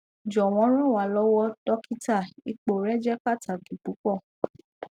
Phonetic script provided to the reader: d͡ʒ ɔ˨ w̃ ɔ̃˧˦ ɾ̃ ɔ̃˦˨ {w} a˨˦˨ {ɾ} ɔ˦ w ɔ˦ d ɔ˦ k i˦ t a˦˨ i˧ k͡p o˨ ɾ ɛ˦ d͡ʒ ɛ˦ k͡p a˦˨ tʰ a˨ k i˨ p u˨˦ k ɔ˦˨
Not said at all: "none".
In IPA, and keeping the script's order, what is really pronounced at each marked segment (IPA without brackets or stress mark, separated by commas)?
w, l